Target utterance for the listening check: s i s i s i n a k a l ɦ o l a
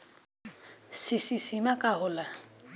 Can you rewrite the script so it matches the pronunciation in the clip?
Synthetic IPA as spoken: s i s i s i m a k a ɦ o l a